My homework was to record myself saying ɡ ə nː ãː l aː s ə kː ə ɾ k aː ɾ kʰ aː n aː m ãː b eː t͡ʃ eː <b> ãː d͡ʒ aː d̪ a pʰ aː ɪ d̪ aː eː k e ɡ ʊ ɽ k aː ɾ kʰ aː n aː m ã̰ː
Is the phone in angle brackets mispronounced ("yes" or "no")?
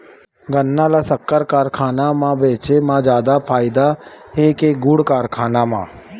yes